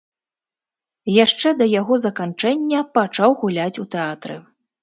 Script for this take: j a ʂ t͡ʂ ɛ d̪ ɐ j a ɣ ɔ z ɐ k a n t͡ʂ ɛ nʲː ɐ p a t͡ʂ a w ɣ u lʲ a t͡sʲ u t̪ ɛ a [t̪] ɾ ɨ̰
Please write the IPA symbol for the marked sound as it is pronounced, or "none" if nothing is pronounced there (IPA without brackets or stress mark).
t̪